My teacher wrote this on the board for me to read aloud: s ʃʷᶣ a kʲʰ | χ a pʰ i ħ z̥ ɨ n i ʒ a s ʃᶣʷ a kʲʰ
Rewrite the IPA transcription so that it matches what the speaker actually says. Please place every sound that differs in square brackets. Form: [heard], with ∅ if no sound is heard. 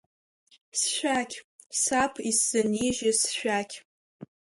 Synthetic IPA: s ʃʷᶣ a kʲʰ | [s] a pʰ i [s] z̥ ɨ n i ʒ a s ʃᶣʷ a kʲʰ